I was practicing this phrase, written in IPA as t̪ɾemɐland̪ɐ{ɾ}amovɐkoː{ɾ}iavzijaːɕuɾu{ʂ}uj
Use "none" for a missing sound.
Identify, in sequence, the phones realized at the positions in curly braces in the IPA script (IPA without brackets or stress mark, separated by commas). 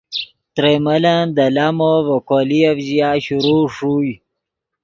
l, l, ʂ